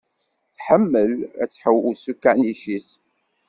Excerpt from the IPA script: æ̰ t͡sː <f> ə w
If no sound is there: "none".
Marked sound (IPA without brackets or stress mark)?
ħ